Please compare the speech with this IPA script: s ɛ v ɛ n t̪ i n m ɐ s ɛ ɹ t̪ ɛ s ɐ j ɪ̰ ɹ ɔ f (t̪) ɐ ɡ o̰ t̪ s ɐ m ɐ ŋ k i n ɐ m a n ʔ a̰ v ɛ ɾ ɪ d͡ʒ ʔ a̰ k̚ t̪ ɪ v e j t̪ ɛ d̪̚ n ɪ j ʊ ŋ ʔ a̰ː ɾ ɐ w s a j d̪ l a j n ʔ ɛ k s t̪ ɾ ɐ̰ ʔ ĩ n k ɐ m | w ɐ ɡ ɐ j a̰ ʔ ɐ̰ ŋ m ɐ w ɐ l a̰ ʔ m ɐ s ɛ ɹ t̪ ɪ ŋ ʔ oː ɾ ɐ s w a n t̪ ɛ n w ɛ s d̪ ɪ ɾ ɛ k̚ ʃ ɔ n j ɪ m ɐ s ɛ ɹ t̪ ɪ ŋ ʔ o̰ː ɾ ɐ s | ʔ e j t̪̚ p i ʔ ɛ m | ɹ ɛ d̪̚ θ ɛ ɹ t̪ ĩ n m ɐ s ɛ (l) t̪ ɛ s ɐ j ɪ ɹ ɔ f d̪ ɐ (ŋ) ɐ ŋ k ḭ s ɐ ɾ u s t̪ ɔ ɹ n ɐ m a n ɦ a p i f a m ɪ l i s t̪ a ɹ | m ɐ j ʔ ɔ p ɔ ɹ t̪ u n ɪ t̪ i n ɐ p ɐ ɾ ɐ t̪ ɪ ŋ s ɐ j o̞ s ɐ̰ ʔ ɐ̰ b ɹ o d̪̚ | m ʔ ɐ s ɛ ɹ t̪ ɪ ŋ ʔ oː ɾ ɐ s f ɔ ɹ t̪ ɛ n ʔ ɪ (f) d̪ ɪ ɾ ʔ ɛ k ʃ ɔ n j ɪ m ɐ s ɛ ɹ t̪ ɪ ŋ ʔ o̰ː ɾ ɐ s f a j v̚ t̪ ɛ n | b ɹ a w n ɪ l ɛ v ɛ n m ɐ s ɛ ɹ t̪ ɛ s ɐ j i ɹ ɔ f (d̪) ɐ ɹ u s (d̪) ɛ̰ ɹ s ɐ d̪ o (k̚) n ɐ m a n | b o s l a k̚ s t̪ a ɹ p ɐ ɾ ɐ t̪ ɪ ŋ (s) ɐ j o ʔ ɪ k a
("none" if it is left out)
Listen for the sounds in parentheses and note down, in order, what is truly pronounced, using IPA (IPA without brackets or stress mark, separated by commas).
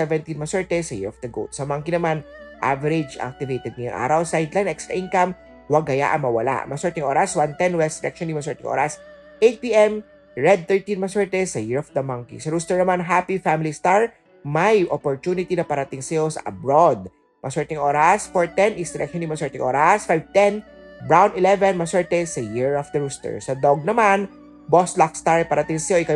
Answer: d̪, ɹ, m, s, d̪, t̪, ɡ̚, s